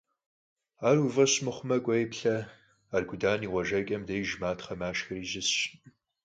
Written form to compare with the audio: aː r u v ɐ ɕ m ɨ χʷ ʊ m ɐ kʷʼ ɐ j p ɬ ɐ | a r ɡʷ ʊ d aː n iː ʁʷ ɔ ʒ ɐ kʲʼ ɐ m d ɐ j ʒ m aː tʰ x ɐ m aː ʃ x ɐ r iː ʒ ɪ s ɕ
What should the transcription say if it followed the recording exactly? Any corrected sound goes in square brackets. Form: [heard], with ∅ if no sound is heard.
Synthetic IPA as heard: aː r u v ɐ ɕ m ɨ χʷ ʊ m ɐ kʷʼ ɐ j p ɬ ɐ | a r ɡʷ ʊ d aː n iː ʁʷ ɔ ʒ ɐ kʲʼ ɐ m d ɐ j ʒ m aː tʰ [χ] ɐ m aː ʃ x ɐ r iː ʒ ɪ s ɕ